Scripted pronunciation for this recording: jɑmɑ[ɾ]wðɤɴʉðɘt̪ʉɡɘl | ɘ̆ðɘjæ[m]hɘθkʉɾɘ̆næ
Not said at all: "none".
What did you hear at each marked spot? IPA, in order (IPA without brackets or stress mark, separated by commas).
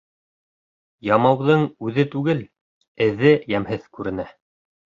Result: none, m